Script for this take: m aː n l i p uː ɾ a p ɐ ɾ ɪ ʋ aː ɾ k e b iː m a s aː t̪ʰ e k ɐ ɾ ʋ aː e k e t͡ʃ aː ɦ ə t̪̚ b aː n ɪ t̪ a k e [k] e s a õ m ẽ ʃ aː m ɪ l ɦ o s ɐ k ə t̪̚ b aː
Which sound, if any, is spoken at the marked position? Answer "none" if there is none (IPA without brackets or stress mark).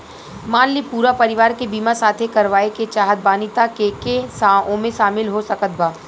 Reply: k